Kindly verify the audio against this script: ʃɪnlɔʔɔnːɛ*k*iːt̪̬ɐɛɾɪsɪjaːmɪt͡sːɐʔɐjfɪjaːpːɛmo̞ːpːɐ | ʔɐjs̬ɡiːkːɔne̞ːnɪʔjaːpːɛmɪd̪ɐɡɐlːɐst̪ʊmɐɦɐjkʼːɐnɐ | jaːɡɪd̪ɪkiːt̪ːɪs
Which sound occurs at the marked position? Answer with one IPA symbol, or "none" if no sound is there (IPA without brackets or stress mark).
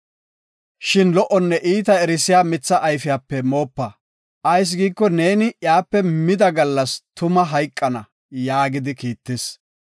ʔ